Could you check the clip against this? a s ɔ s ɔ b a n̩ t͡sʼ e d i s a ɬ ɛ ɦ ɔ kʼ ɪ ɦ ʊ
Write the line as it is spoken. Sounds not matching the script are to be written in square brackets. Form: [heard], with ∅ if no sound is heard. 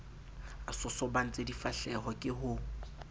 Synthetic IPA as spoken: a s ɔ s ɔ b a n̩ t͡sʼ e d i [f] a ɬ ɛ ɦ ɔ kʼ ɪ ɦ ʊ